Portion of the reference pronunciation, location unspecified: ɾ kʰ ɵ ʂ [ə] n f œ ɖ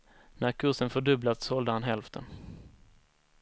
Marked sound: correct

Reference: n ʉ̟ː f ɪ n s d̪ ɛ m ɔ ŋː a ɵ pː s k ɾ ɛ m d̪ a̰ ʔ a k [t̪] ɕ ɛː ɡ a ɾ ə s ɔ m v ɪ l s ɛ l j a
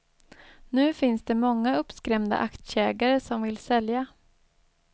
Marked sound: correct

